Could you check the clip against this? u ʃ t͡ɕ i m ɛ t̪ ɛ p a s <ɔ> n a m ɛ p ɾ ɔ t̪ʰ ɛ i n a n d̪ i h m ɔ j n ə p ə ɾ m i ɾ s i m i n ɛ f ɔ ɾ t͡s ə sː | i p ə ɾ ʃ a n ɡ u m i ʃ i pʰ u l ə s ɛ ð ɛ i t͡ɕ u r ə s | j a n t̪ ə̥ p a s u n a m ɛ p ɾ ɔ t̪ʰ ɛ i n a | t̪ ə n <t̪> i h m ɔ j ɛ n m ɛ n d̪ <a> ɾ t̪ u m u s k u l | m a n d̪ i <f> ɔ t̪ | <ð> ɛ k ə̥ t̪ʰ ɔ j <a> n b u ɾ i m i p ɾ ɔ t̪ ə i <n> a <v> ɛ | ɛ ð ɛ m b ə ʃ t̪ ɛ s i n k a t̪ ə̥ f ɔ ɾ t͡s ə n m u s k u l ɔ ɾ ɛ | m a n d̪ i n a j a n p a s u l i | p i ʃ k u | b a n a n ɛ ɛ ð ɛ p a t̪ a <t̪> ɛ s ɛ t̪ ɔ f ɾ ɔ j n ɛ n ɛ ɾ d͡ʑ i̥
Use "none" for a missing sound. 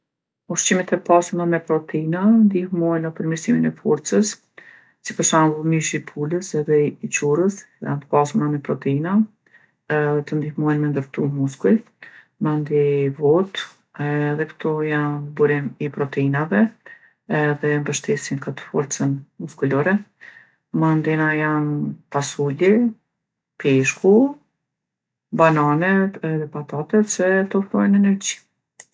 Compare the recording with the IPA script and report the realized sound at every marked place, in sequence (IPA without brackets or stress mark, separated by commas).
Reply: u, d̪, ə, v, ð, a, n, v, t̪